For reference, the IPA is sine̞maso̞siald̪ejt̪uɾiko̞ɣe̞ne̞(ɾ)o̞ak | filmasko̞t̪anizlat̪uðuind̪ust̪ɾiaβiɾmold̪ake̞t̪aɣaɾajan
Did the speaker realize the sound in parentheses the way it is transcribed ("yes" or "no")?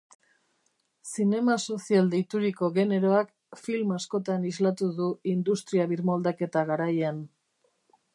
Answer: yes